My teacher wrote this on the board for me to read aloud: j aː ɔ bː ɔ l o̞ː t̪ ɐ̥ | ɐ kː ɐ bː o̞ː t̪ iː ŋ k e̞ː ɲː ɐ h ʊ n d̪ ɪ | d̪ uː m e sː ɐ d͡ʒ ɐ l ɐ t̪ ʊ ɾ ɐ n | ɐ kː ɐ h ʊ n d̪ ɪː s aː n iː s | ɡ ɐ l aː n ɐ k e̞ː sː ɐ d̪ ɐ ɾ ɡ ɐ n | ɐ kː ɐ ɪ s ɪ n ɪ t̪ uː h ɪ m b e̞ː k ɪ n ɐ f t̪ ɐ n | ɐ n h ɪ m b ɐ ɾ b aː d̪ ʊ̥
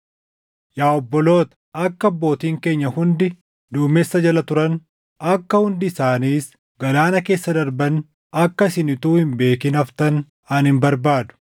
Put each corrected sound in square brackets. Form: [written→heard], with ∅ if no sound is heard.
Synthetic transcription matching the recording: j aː ɔ bː ɔ l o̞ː t̪ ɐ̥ | ɐ kː ɐ bː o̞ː t̪ iː ŋ k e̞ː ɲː ɐ h ʊ n d̪ ɪ | d̪ uː m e sː ɐ d͡ʒ ɐ l ɐ t̪ ʊ ɾ ɐ n | ɐ kː ɐ h ʊ n d̪ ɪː s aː n iː s | ɡ ɐ l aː n ɐ k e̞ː sː ɐ d̪ ɐ ɾ [ɡ→b] ɐ n | ɐ kː ɐ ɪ s ɪ n ɪ t̪ uː h ɪ m b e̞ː k ɪ n ɐ f t̪ ɐ n | ɐ n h ɪ m b ɐ ɾ b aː d̪ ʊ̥